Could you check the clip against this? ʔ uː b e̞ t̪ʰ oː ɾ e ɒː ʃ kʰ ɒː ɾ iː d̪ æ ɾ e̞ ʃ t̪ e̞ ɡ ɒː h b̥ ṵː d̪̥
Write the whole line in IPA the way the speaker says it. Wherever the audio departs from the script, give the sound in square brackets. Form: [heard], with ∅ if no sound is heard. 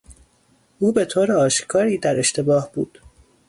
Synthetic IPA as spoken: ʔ uː b e̞ t̪ʰ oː ɾ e ɒː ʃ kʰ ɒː ɾ iː d̪ æ ɾ e̞ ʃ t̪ e̞ [b] ɒː h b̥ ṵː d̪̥